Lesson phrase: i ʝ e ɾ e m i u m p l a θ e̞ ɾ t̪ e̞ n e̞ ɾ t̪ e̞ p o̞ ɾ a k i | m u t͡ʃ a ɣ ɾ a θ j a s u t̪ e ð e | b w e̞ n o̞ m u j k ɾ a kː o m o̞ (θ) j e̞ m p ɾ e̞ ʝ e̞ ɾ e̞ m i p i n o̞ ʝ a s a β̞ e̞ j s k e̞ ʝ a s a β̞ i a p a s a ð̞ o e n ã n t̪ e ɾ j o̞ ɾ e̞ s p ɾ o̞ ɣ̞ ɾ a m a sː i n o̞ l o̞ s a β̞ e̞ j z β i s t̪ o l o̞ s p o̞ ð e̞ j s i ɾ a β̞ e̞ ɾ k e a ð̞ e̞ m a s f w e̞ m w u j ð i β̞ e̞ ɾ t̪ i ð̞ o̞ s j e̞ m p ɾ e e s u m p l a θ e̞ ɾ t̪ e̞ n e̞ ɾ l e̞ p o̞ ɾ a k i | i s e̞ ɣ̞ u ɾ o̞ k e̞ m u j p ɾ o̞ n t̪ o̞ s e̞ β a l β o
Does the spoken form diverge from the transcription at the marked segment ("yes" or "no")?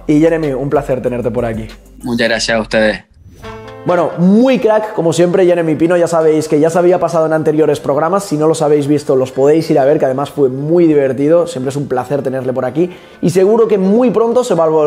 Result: yes